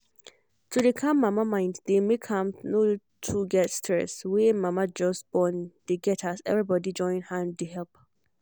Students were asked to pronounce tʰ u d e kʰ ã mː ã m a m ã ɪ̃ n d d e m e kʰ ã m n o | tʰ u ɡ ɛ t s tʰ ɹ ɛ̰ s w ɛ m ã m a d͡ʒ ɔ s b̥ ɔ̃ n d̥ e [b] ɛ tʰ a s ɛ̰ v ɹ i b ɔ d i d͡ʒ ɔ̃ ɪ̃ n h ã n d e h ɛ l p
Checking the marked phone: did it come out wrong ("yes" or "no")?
yes